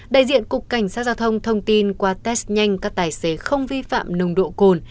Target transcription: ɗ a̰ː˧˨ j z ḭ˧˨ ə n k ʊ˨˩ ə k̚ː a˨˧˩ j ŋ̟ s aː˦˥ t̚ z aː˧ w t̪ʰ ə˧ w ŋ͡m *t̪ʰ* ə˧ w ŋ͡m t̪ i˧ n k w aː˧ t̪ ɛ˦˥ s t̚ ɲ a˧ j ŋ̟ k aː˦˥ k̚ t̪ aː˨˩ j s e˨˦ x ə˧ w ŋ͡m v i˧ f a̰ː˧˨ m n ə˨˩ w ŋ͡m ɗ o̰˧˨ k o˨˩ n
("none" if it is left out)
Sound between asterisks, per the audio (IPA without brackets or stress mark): t̪ʰ